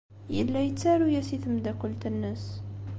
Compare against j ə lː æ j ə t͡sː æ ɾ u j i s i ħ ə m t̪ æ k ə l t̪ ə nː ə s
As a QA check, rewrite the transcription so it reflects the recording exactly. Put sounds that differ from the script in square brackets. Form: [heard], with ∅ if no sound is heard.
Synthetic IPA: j ə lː æ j ə t͡sː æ ɾ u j [æ] s i [θ] ə m [d̪] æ k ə l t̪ ə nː ə s